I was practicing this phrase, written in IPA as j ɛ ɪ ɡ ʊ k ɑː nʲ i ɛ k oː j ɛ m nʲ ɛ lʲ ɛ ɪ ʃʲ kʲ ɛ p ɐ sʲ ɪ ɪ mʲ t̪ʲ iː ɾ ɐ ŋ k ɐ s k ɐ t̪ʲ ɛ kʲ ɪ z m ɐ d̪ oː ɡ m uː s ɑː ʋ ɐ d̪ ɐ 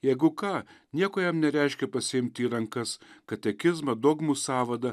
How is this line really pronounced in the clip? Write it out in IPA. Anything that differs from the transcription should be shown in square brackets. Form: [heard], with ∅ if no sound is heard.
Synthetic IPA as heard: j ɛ ɪ ɡ ʊ k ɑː nʲ i ɛ k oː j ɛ m nʲ ɛ [ɾʲ] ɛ ɪ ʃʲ kʲ ɛ p ɐ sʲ ɪ ɪ mʲ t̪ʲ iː ɾ ɐ ŋ k ɐ s k ɐ t̪ʲ ɛ kʲ ɪ z m ɐ d̪ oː ɡ m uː s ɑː ʋ ɐ d̪ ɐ